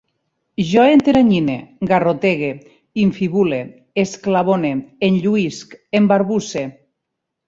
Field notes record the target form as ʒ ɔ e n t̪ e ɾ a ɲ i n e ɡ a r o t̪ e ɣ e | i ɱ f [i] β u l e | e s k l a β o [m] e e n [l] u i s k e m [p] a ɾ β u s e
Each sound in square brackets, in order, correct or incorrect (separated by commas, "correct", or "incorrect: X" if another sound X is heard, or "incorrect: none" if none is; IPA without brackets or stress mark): correct, incorrect: n, incorrect: ʎ, incorrect: b